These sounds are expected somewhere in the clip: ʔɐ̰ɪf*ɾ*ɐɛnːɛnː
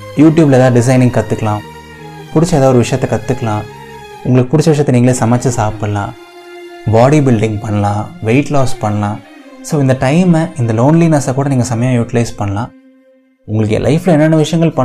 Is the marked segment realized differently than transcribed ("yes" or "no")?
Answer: yes